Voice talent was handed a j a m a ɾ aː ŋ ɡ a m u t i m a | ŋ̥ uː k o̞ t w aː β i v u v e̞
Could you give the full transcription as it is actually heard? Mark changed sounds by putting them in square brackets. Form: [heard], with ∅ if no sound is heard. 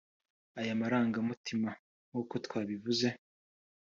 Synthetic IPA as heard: a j a m a ɾ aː ŋ ɡ a m u t i m a | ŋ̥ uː k o̞ t w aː β i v u [z] e̞